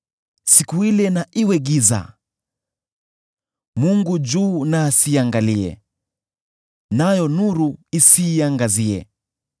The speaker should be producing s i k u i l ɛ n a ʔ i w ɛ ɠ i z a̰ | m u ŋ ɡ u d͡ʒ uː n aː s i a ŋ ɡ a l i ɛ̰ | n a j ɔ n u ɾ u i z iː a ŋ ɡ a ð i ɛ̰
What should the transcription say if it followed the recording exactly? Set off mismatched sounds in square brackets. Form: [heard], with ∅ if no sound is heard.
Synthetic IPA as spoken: s i k u i l ɛ n a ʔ i w ɛ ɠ i z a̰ | m u ŋ ɡ u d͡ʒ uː n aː s i a ŋ ɡ a l i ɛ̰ | n a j ɔ n u ɾ u i [s] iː a ŋ ɡ a [z] i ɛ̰